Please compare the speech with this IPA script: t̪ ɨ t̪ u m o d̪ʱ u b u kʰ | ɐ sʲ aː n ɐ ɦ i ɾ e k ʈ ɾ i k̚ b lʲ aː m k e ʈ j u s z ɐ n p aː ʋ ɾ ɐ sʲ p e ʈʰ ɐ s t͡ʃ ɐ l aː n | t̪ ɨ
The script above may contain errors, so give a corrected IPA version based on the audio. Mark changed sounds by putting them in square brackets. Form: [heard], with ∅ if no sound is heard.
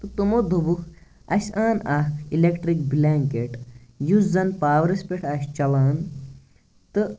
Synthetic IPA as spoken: t̪ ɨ t̪ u m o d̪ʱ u b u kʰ | ɐ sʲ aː n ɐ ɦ i [l] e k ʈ ɾ i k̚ b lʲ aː [ŋ] k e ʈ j u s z ɐ n p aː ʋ ɾ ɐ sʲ p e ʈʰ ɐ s t͡ʃ ɐ l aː n | t̪ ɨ